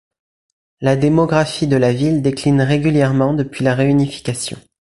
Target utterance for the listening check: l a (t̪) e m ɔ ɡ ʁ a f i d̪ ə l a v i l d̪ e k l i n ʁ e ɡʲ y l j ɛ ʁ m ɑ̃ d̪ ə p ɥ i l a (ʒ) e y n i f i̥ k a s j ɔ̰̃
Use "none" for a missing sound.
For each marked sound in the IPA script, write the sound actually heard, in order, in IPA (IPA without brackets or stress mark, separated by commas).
d̪, ʁ